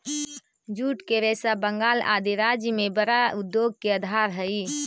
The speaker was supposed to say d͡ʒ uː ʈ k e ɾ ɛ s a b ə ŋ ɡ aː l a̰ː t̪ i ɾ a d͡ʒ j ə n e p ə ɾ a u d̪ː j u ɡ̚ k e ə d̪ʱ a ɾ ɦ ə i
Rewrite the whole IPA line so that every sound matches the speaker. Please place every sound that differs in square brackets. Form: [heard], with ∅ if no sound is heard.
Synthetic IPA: d͡ʒ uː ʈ k e ɾ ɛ s a b ə ŋ ɡ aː l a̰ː [d̪] i ɾ a d͡ʒ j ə [m] e [b] ə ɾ a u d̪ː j [o] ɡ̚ k e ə d̪ʱ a ɾ ɦ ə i